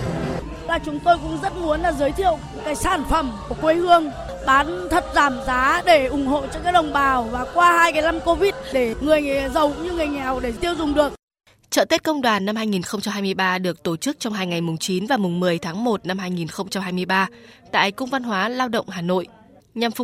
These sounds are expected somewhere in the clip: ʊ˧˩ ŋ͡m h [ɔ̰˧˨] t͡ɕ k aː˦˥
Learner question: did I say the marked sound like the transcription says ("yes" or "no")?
no